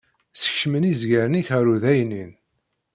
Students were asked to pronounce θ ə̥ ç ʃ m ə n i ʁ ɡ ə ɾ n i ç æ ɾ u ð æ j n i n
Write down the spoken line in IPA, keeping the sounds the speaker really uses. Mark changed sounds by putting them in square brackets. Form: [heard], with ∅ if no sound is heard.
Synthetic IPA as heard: [s] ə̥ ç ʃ m ə n i [z] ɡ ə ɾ n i ç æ ɾ u ð æ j n i n